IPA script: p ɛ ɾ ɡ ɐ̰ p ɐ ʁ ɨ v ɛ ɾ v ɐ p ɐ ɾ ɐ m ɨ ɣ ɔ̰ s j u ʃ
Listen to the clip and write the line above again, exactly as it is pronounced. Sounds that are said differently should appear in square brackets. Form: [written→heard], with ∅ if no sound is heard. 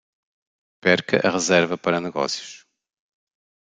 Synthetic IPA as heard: p ɛ ɾ [ɡ→k] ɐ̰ [p→ʔ] ɐ ʁ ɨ [v→z] ɛ ɾ v ɐ p ɐ ɾ ɐ [m→n] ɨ ɣ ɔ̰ s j u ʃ